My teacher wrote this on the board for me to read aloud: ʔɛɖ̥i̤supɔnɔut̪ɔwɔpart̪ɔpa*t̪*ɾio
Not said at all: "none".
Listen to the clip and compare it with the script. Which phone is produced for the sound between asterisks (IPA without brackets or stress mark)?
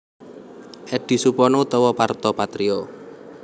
t̪